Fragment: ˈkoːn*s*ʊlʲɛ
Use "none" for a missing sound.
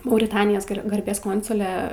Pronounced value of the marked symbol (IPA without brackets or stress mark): s